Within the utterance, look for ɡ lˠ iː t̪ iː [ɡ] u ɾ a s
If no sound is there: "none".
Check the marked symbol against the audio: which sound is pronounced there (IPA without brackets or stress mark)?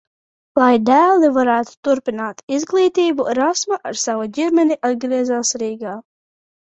b